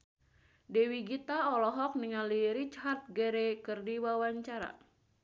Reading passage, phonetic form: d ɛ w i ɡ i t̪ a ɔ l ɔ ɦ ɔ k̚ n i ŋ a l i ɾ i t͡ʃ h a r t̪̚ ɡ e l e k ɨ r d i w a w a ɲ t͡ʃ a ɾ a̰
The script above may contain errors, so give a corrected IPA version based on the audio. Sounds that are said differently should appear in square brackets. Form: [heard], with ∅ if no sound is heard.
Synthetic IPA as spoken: d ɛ w i ɡ i t̪ a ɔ l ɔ ɦ ɔ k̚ n i ŋ a l i ɾ i t͡ʃ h a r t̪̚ ɡ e [ɾ] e k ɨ r d i w a w a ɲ t͡ʃ a ɾ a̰